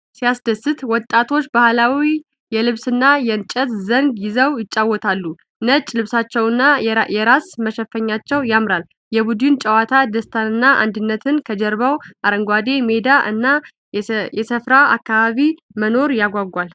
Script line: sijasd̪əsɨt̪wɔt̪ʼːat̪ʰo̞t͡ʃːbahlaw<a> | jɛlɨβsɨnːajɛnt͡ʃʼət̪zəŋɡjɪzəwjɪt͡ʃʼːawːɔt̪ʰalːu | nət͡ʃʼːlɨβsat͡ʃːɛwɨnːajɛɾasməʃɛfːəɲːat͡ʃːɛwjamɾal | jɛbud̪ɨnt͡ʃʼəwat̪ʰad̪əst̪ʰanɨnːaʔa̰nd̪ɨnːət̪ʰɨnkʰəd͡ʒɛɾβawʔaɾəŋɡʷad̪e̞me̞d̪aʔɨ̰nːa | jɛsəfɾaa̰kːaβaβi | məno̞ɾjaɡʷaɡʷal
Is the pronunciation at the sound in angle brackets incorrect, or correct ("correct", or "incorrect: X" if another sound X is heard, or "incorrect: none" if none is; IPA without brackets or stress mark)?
incorrect: i